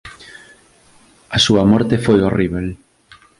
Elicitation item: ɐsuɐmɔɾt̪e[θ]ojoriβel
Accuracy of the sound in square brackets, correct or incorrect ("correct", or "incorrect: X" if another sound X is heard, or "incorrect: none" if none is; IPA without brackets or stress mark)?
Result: incorrect: f